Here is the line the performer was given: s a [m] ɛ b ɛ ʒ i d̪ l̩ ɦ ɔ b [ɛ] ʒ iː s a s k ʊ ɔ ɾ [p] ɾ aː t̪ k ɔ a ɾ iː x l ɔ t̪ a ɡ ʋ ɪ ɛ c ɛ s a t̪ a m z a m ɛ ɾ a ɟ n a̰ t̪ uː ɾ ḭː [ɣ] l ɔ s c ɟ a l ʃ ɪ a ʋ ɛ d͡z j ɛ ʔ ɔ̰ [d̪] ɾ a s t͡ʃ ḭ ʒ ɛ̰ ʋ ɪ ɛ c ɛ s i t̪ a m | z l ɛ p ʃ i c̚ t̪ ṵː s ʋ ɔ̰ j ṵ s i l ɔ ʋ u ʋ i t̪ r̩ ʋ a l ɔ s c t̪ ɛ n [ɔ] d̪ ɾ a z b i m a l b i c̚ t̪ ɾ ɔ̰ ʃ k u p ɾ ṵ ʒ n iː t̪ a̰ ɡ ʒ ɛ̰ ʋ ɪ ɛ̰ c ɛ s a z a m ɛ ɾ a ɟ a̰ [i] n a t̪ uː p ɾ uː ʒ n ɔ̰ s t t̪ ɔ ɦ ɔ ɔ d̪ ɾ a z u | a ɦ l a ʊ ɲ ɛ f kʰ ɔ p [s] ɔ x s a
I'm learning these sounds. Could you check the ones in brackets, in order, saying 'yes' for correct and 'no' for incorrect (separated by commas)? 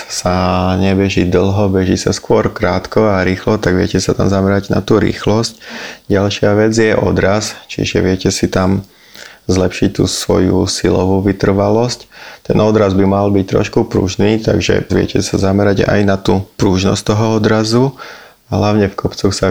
no, yes, no, no, yes, yes, no, no